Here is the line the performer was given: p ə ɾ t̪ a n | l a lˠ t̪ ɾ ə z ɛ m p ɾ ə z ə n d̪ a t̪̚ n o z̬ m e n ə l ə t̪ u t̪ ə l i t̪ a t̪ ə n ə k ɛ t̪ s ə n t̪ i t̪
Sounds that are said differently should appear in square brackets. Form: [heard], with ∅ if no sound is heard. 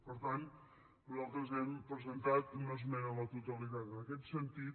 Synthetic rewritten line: p ə ɾ t̪ a n | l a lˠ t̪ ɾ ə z ɛ m p ɾ ə z ə n [t̪] a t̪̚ n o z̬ m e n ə l ə t̪ u t̪ ə l i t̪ a t̪ ə n ə k ɛ t̪ s ə n t̪ i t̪